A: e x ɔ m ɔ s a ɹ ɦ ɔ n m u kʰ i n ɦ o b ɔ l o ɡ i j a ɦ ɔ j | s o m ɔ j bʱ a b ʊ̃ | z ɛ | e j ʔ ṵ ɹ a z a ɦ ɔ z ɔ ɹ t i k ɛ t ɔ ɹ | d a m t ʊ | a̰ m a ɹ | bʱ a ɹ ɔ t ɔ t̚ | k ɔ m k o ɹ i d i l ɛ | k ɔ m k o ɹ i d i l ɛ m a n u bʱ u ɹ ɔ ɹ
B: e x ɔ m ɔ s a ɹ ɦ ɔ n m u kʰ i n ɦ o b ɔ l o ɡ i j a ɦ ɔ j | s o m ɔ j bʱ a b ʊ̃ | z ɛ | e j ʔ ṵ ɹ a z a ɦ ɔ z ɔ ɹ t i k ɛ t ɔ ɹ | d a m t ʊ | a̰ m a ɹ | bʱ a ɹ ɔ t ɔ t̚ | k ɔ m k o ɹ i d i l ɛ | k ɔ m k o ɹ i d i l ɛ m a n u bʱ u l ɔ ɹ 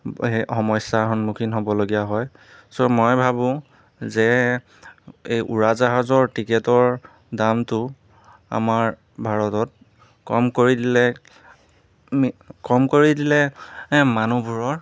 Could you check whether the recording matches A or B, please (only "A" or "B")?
A